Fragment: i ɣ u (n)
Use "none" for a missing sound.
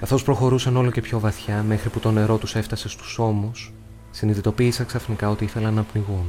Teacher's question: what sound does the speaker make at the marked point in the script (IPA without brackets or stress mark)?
n